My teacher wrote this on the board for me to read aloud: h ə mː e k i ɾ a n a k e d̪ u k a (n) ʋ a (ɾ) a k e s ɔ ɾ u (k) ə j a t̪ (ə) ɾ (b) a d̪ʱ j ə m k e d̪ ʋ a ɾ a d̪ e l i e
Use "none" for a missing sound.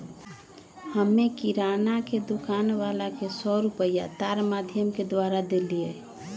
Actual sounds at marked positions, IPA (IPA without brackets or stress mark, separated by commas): n, l, p, a, m